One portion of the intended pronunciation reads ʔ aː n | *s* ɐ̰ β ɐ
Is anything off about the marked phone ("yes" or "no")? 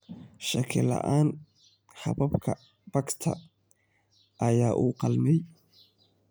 yes